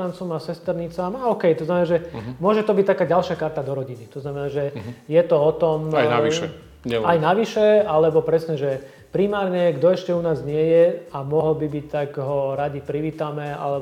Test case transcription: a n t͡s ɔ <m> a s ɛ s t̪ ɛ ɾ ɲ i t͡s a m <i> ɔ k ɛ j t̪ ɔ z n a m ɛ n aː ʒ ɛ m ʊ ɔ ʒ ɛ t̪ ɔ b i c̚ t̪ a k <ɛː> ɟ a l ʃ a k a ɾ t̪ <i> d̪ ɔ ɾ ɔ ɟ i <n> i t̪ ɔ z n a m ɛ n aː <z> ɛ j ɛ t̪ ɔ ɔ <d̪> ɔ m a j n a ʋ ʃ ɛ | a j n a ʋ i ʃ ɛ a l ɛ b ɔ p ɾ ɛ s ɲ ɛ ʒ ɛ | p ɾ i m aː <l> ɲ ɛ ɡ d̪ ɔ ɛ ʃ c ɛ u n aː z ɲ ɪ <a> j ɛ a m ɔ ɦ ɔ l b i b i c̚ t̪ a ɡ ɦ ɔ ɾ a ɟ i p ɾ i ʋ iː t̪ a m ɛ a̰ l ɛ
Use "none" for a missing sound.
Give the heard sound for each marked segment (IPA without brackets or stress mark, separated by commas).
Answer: m, a, aː, a, n, ʒ, t̪, ɾ, ɛ